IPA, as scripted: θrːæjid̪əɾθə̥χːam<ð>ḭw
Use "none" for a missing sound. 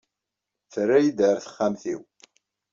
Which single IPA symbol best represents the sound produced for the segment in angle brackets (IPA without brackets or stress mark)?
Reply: θ